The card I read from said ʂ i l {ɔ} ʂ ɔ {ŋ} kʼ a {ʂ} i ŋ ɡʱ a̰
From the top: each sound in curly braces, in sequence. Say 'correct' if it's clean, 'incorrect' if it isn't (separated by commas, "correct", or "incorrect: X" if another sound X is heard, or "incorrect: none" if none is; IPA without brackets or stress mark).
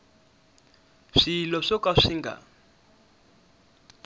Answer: correct, incorrect: none, correct